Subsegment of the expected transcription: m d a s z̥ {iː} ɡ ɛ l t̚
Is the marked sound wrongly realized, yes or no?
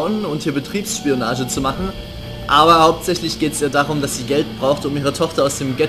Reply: no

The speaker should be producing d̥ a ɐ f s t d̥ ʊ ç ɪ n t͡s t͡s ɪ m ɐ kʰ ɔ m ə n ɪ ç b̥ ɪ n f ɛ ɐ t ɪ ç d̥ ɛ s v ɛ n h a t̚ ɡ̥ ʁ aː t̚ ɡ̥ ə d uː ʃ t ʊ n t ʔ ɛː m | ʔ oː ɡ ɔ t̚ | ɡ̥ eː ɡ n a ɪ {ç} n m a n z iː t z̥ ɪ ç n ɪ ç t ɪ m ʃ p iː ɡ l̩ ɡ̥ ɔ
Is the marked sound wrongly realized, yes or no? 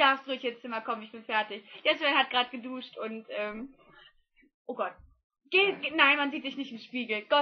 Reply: yes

